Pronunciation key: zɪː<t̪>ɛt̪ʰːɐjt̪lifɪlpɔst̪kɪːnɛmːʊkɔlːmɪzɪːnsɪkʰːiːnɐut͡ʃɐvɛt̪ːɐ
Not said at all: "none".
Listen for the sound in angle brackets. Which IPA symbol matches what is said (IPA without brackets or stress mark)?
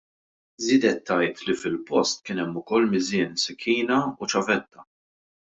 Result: d̪